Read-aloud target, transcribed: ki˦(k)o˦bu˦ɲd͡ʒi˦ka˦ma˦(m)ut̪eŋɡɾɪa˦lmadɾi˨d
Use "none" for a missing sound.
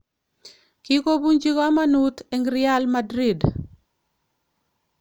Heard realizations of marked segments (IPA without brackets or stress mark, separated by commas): k, n